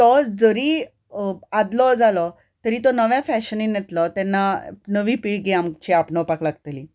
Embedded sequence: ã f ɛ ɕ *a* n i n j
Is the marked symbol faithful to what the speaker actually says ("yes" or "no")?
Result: no